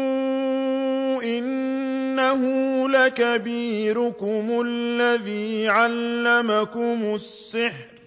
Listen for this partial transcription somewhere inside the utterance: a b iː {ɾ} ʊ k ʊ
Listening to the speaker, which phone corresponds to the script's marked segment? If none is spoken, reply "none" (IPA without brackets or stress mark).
ɾ